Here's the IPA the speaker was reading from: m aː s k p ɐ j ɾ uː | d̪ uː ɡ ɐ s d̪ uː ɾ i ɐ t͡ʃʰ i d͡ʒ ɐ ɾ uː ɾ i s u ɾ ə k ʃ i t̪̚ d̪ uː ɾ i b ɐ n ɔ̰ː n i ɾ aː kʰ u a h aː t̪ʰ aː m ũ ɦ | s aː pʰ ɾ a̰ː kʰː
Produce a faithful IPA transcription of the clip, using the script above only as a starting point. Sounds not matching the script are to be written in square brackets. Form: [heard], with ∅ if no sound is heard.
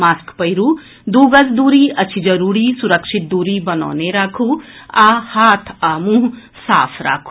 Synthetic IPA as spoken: m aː s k p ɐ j ɾ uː | d̪ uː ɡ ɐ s d̪ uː ɾ i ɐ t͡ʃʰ i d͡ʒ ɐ ɾ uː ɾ i s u ɾ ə k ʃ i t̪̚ d̪ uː ɾ i b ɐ n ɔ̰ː n [e] ɾ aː kʰ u a h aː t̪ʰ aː m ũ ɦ | s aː pʰ ɾ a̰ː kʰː